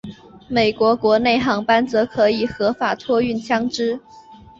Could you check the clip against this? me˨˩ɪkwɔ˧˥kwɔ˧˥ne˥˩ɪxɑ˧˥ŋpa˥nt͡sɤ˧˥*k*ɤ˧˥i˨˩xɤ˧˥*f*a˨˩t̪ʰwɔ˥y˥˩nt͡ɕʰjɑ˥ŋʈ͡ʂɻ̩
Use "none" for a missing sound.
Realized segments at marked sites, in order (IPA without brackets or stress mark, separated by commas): kʰ, f